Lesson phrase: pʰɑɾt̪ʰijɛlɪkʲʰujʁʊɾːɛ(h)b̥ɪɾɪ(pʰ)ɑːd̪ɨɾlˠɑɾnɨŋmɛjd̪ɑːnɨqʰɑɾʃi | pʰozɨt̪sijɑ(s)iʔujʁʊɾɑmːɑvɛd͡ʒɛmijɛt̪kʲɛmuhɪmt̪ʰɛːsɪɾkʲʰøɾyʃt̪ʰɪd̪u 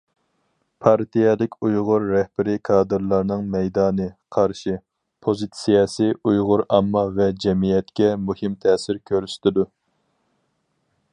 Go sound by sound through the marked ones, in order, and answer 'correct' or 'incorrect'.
correct, incorrect: kʰ, correct

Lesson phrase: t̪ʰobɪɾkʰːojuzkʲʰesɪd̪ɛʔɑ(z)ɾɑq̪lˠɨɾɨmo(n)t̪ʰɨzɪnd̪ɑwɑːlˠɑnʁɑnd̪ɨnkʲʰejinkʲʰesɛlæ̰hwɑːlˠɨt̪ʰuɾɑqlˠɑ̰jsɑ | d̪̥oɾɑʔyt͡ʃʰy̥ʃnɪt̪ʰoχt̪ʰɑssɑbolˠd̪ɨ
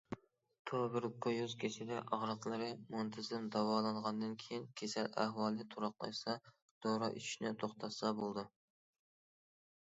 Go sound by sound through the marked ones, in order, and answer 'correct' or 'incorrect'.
incorrect: ʁ, correct

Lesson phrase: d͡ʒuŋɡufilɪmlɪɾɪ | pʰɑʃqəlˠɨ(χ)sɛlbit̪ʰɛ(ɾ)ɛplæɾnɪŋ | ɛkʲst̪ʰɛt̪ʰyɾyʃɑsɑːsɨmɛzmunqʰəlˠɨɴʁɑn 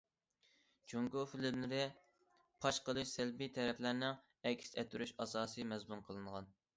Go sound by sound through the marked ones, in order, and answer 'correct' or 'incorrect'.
incorrect: ʃ, correct

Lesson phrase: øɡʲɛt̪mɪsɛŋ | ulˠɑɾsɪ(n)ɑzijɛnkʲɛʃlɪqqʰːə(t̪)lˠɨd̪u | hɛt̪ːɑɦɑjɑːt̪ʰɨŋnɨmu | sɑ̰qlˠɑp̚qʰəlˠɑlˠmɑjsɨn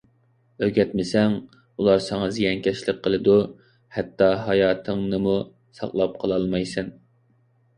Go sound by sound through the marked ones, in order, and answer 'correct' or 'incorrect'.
incorrect: ŋ, incorrect: none

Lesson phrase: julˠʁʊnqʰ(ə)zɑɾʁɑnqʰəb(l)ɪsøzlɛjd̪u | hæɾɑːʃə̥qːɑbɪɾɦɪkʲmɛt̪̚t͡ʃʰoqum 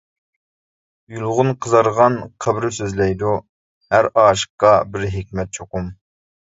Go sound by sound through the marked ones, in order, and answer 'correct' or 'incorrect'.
correct, incorrect: ɾ

